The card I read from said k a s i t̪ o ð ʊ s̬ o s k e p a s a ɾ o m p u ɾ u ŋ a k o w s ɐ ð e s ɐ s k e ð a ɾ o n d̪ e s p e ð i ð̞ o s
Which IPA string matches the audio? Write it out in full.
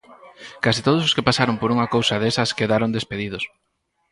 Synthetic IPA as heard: k a s i t̪ o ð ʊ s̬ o s k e p a s a ɾ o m p o ɾ u ŋ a k o w s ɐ ð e s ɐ s k e ð a ɾ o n d̪ e s p e ð i ð̞ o s